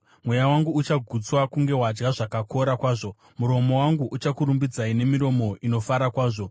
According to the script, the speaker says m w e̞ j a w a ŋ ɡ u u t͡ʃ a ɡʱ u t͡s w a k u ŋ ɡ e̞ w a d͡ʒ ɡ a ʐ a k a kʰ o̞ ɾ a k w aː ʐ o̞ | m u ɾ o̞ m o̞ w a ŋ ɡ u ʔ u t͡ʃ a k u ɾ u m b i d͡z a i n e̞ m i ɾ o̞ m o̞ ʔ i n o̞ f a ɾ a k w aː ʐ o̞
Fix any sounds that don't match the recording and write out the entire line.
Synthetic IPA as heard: m w e̞ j a w a ŋ ɡ u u t͡ʃ a ɡʱ u t͡s w a k u ŋ ɡ e̞ w a d͡ʒ ɡ a ʐ a k a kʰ o̞ ɾ a k w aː ʐ o̞ | m u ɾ o̞ m o̞ w a ŋ ɡ u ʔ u t͡ʃ a k u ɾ u m b i d͡z a i n e̞ m i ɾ o̞ m o̞ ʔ i n o̞ f a ɾ a k w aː ʐ o̞